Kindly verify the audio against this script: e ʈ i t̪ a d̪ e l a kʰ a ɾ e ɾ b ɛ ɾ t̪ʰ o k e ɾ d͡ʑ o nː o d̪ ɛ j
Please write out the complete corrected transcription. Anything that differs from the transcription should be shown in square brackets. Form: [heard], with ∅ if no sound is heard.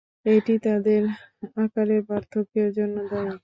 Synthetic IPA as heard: e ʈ i t̪ a d̪ e [ɾ] a [k] a ɾ e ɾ b [a] ɾ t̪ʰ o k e ɾ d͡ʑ o nː o d̪ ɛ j